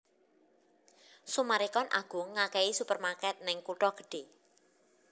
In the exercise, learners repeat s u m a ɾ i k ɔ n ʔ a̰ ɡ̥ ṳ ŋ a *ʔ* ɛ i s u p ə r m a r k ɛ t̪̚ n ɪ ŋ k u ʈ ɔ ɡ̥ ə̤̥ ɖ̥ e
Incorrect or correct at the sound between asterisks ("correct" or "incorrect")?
incorrect